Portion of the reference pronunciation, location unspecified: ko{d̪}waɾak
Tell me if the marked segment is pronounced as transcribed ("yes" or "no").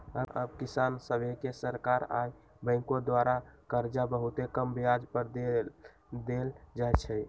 yes